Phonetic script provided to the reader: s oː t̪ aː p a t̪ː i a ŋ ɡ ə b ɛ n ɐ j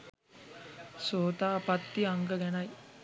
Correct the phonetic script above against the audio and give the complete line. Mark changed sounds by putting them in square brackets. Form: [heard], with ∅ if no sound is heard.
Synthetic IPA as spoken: s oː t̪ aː p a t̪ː i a ŋ ɡ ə [ɡ] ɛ n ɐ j